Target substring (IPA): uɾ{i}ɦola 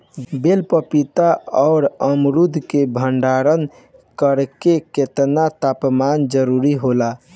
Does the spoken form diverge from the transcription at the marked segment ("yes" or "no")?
no